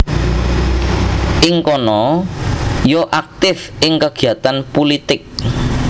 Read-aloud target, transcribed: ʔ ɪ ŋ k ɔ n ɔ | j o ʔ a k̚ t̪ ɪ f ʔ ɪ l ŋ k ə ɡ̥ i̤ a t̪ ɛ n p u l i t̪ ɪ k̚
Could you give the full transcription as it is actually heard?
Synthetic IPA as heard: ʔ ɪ ŋ k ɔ n ɔ | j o ʔ a k̚ t̪ ɪ f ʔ ɪ ŋ k ə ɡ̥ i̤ a t̪ a n p u l i t̪ ɪ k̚